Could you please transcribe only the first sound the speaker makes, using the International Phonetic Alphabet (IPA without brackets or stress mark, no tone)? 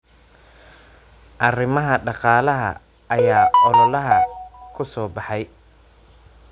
ʔ